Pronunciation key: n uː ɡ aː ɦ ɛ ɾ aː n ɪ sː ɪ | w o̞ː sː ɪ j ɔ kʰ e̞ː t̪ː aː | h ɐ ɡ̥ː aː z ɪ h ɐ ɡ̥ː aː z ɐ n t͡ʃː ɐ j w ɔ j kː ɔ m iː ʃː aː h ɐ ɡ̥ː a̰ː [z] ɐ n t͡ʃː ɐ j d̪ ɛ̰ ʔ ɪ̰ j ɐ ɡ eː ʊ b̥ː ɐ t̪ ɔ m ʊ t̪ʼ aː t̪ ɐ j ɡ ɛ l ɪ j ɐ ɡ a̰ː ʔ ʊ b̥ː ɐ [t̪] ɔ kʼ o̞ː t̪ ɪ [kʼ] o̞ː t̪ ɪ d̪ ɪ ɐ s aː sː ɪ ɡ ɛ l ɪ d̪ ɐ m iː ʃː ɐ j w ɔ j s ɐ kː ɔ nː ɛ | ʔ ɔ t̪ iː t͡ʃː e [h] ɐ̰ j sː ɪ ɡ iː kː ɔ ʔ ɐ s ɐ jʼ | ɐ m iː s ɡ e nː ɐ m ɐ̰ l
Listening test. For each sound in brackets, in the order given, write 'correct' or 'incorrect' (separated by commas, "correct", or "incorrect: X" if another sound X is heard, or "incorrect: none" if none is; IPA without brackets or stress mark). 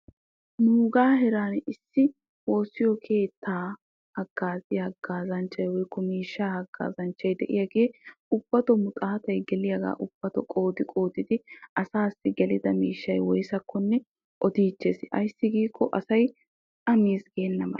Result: correct, correct, correct, incorrect: s